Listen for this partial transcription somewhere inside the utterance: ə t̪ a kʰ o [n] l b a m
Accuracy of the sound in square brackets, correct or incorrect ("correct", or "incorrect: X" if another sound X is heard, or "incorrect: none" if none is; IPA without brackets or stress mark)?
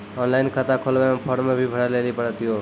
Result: incorrect: none